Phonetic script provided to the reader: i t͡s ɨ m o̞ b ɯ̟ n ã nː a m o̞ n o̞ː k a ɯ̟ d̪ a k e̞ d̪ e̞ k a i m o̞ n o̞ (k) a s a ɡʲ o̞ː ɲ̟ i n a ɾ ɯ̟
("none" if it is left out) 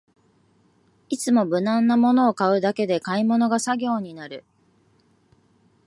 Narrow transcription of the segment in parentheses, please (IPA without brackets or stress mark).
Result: ɡ